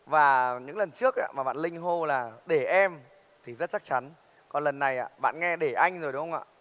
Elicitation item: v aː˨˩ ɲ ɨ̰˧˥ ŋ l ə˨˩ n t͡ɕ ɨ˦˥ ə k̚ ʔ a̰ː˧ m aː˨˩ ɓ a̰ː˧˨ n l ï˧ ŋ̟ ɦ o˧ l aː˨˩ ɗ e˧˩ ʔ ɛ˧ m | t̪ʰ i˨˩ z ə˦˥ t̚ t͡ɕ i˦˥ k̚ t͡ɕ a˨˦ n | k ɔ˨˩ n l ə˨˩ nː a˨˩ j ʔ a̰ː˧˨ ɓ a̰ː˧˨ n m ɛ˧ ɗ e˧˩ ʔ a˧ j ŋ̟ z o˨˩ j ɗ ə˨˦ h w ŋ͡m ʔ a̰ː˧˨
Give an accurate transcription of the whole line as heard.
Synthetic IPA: v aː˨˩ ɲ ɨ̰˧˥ ŋ l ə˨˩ n t͡ɕ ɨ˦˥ ə k̚ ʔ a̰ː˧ m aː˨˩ ɓ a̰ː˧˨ n l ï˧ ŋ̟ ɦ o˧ l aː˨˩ ɗ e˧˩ ʔ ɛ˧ m | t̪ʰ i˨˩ z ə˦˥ t̚ t͡ɕ a˦˥ k̚ t͡ɕ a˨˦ n | k ɔ˨˩ n l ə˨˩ nː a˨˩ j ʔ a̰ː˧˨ ɓ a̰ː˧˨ n ŋ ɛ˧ ɗ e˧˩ ʔ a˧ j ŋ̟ z o˨˩ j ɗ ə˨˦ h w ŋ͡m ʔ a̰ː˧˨

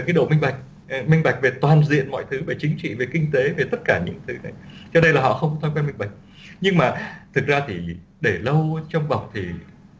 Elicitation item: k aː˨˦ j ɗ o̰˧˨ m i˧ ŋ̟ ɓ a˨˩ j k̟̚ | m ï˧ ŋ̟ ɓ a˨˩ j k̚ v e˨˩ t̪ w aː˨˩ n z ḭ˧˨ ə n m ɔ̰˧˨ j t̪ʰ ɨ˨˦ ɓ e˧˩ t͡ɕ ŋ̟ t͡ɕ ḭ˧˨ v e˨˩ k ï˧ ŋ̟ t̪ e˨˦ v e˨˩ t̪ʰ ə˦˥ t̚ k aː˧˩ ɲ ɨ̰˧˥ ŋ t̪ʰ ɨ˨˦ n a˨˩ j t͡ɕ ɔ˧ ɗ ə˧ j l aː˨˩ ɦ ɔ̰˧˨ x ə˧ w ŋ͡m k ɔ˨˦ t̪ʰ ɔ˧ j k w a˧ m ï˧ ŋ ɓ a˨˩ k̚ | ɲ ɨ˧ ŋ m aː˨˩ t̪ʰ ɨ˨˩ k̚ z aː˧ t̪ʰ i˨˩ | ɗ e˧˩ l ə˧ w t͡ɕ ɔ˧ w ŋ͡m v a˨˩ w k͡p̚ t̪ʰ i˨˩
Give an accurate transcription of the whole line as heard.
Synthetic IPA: k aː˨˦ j ɗ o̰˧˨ m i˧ ŋ̟ ɓ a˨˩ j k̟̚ | m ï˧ ŋ̟ ɓ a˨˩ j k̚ v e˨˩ t̪ w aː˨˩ n z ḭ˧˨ ə n m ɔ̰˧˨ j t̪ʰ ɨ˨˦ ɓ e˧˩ t͡ɕ ŋ̟ t͡ɕ ḭ˧˨ v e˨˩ k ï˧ ŋ̟ t̪ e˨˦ v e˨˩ t̪ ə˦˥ t̚ k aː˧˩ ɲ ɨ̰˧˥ ŋ t̪ʰ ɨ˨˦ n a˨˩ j t͡ɕ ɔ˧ ɗ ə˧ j l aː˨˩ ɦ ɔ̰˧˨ x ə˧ w ŋ͡m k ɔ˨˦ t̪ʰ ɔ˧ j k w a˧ m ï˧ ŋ ɓ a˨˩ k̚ | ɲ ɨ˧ ŋ m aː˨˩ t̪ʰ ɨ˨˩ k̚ z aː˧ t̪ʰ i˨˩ | ɗ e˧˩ l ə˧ w t͡ɕ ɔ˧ w ŋ͡m v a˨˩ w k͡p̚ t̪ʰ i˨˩

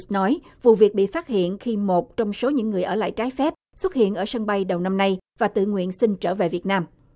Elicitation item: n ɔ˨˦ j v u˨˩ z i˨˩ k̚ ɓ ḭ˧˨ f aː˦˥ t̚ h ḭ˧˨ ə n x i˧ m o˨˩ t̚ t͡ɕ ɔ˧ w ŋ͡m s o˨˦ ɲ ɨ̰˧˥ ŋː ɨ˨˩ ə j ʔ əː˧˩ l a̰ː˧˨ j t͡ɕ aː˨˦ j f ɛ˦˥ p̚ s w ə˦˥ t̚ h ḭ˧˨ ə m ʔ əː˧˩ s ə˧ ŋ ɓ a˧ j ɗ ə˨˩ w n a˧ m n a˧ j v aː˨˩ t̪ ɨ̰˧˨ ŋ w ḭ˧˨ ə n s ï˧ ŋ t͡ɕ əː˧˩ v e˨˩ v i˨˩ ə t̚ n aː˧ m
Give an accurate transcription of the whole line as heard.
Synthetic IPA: n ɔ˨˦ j v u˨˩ v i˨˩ k̚ ɓ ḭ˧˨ f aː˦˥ t̚ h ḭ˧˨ ə n x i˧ m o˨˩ t̚ t͡ɕ ɔ˧ w ŋ͡m s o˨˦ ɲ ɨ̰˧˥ ŋː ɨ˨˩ ə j ʔ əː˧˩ l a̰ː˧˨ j t͡ɕ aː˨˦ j f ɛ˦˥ p̚ s w ə˦˥ t̚ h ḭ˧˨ ə n ʔ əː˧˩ s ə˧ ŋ ɓ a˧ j ɗ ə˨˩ w n a˧ m n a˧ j v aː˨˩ t̪ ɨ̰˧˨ ŋ w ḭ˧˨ ə n s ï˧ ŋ t͡ɕ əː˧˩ v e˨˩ v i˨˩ ə t̚ n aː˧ m

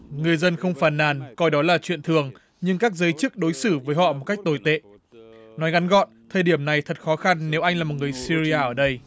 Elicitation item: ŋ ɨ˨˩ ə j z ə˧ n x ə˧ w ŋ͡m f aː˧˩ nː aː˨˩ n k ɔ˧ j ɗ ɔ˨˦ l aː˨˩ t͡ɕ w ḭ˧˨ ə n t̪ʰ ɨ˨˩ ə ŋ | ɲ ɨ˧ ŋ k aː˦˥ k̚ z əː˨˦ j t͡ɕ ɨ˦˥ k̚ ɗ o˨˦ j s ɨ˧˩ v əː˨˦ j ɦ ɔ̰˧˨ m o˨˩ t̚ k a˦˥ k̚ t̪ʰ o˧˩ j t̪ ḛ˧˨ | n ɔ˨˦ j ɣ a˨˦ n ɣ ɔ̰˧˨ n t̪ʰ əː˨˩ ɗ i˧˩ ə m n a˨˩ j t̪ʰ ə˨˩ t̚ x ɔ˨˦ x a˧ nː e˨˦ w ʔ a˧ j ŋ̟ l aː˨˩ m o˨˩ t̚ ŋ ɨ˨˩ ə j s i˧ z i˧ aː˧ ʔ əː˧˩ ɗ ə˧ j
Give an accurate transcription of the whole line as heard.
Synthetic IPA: ŋ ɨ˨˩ ə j z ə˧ n x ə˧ w ŋ͡m f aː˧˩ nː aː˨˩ n k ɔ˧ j ɗ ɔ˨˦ l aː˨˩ t͡ɕ w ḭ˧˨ ə n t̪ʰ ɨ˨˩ ə ŋ | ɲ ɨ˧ ŋ k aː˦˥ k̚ z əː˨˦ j t͡ɕ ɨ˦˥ k̚ ɗ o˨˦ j s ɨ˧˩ v əː˨˦ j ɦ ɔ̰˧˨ m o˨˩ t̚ k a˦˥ k̚ t̪ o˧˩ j t̪ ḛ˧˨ | n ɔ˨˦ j ɣ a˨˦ n ɣ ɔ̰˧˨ n t̪ʰ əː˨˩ ɗ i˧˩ ə m n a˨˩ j t̪ʰ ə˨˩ t̚ x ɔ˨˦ x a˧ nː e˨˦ w ʔ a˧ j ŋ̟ l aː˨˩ m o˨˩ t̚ ŋ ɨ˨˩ ə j s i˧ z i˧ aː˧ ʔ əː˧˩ ɗ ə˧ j

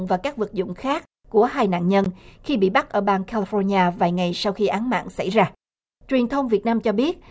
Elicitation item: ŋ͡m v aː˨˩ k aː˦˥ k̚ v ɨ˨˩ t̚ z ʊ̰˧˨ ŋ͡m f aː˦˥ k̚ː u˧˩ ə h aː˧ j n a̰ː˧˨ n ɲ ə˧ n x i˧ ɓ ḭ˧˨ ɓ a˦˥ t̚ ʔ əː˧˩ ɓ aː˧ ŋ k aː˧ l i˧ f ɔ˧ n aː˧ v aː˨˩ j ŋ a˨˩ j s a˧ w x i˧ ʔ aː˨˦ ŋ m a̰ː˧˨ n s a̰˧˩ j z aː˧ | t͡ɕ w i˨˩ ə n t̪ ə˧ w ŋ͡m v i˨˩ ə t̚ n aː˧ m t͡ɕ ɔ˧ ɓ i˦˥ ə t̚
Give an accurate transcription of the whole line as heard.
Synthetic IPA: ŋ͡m v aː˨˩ k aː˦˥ k̚ v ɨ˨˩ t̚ z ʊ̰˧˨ ŋ͡m x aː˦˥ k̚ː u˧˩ ə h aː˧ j n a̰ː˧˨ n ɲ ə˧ n x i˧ ɓ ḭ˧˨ ɓ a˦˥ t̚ ʔ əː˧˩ ɓ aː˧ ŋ k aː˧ l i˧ f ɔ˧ ɲ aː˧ v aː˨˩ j ŋ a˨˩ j s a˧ w x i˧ ʔ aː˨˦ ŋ m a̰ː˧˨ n s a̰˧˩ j z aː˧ | t͡ɕ w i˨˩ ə n t̪ʰ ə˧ w ŋ͡m v i˨˩ ə t̚ n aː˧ m t͡ɕ ɔ˧ ɓ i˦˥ ə t̚

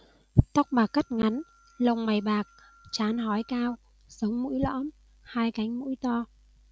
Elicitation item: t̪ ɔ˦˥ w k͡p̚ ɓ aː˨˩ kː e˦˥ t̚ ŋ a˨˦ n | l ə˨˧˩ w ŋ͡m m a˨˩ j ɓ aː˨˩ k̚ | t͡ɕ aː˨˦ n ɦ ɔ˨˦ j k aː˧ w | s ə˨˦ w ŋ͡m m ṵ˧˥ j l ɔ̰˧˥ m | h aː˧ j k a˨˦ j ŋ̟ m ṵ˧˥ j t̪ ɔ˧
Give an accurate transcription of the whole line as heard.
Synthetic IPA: t̪ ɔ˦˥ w k͡p̚ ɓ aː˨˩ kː a˦˥ t̚ ŋ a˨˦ n | l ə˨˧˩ w ŋ͡m m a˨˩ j ɓ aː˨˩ k̚ | t͡ɕ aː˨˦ n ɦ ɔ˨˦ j k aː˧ w | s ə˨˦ w ŋ͡m m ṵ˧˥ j l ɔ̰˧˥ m | h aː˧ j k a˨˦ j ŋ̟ m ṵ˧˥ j t̪ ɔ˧

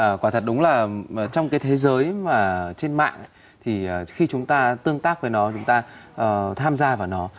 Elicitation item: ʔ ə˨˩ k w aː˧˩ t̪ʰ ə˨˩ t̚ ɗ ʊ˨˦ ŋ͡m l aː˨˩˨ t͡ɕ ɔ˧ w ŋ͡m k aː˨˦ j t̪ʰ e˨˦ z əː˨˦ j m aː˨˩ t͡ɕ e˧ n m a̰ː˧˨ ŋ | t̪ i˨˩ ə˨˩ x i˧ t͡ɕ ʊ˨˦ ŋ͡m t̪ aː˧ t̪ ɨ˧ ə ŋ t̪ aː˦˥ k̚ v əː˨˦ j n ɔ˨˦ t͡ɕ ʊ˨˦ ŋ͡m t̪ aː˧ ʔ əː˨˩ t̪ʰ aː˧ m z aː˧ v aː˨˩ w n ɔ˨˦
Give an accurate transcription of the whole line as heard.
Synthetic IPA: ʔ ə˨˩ k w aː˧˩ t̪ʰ ə˨˩ t̚ ɗ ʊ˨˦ ŋ͡m l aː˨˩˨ t͡ɕ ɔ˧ w ŋ͡m k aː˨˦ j t̪ʰ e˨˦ z əː˨˦ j m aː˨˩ t͡ɕ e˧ n m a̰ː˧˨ ŋ | t̪ʰ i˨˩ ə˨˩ x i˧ t͡ɕ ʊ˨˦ ŋ͡m t̪ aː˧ t̪ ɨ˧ ə ŋ t̪ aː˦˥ k̚ v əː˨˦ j n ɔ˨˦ t͡ɕ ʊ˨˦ ŋ͡m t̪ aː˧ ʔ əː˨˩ t̪ʰ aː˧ m z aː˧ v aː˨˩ w n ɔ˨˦

